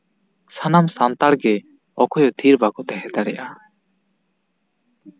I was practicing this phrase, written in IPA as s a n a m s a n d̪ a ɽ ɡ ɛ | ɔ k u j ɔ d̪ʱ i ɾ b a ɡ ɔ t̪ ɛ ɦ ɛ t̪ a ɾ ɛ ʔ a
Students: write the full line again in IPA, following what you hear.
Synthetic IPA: s a n a m s a n t̪ a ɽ ɡ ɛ | ɔ k ɔ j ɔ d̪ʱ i ɾ b a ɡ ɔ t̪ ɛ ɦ ɛ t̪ a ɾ ɛ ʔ a

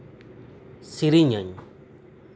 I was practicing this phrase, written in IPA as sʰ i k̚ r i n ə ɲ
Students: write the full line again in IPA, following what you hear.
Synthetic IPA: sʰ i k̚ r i ɲ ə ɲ

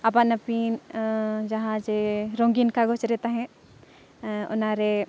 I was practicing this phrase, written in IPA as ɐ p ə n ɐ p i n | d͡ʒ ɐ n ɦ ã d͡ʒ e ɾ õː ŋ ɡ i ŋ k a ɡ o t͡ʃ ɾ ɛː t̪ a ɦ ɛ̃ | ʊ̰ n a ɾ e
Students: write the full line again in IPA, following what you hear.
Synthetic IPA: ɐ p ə n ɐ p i n | d͡ʒ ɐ ɦ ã d͡ʒ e ɾ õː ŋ ɡ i n k a ɡ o t͡ʃ ɾ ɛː t̪ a ɦ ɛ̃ | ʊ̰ n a ɾ e

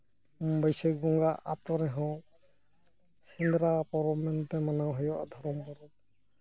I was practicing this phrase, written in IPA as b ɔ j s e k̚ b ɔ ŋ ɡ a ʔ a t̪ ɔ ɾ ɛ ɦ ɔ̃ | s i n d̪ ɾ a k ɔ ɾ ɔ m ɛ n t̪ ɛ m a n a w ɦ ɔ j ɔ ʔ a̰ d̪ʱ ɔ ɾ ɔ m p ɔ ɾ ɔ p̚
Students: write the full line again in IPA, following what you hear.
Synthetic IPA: b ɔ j s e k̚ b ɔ ŋ ɡ a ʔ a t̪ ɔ ɾ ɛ ɦ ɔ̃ | s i n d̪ ɾ a p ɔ ɾ ɔ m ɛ n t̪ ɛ m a n a w ɦ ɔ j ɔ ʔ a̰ d̪ʱ ɔ ɾ ɔ m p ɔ ɾ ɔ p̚

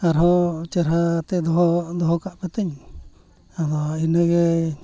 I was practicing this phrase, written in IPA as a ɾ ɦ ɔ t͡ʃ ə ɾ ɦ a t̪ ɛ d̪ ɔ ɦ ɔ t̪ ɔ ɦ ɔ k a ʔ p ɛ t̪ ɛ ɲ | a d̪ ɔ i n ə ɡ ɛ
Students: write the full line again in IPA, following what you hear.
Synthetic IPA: a ɾ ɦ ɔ t͡ʃ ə ɾ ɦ a t̪ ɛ d̪ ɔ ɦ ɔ d̪ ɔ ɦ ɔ k a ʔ p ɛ t̪ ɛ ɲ | a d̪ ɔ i n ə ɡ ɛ

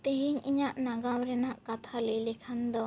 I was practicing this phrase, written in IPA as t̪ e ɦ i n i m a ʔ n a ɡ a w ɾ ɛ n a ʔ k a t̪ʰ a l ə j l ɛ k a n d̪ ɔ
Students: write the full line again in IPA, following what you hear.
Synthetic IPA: t̪ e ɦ i ɲ i ɲ a ʔ n a ɡ a w ɾ ɛ n a ʔ k a t̪ʰ a l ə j l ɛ kʰ a n d̪ ɔ

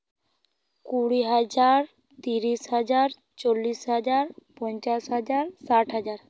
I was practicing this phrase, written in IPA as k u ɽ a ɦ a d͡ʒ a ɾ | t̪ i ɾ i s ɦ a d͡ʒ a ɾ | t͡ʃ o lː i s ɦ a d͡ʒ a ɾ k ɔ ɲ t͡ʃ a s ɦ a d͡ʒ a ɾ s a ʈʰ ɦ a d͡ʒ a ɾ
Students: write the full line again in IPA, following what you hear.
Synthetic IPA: k u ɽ i ɦ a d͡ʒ a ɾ | t̪ i ɾ i s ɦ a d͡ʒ a ɾ | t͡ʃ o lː i s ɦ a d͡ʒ a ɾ p ɔ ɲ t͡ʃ a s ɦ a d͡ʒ a ɾ s a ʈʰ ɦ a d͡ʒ a ɾ

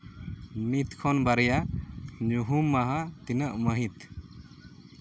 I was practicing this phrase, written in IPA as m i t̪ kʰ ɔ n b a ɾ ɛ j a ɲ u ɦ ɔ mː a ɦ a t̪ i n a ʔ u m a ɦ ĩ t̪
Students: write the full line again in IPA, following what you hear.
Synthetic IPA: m i t̪ kʰ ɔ n b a ɾ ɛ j a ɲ u ɦ u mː a ɦ a t̪ i n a ʔ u m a ɦ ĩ t̪

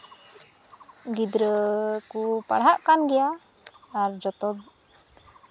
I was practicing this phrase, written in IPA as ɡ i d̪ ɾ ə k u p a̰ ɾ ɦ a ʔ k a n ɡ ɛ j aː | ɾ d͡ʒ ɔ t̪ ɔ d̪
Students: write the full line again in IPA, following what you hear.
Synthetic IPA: ɡ i d̪ ɾ ə k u p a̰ ɽ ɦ a ʔ k a n ɡ ɛ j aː | ɾ d͡ʒ ɔ t̪ ɔ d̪

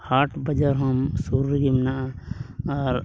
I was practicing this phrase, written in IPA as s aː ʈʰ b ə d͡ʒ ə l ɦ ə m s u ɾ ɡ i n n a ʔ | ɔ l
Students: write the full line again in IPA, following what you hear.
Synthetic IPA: h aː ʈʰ b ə d͡ʒ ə ɾ ɦ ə m s u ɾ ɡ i m n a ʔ | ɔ ɾ

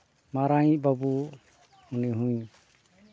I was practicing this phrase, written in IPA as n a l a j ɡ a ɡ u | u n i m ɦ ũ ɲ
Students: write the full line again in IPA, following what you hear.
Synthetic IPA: m a ɾ a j b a b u | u n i ɦ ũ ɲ

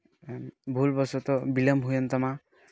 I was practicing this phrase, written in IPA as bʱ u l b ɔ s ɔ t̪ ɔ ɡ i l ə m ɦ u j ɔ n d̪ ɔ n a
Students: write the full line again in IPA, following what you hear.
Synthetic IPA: bʱ u l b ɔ s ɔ t̪ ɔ b i l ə m ɦ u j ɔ n t̪ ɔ m a

